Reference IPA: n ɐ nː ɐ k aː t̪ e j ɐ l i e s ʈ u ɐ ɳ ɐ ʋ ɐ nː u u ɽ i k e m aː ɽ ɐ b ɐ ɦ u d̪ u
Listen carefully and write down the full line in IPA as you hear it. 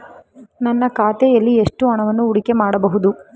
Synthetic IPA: n ɐ nː ɐ k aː t̪ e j ɐ lː i e ʂ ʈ u ɐ ɳ ɐ ʋ ɐ nː u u ɽ i k e m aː ɽ ɐ b ɐ ɦ u d̪ u

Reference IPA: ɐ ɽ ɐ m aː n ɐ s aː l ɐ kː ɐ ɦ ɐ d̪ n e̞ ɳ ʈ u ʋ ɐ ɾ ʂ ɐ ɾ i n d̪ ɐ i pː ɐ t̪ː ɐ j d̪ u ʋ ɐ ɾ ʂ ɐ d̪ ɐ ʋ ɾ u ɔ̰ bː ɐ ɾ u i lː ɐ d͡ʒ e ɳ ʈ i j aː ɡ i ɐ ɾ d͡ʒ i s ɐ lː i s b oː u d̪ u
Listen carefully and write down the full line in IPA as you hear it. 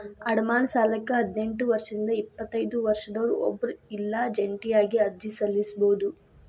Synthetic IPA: ɐ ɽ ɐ m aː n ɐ s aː l ɐ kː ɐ ɦ ɐ d̪ n e̞ ɳ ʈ u ʋ ɐ ɾ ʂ ɐ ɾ i n d̪ ɐ i pː ɐ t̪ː ɐ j d̪ u ʋ ɐ ɾ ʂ ɐ d̪ ɐ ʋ ɾ u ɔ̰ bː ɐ ɾ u i lː ɐ d͡ʒ e ɳ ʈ i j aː ɡ i ɐ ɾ d͡ʒ i s ɐ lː i s b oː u d̪ u

